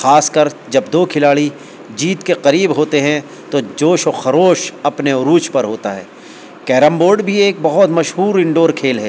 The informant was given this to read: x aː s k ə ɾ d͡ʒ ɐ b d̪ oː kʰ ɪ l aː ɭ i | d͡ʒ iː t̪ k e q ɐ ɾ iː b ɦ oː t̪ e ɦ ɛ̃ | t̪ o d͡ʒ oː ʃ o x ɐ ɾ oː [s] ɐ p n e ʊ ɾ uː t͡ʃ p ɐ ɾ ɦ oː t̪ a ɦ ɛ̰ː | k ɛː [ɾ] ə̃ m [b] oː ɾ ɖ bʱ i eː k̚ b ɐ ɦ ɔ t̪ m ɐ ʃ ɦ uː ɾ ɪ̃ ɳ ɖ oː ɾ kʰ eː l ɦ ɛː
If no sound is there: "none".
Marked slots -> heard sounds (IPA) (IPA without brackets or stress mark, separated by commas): ʃ, ɾ, b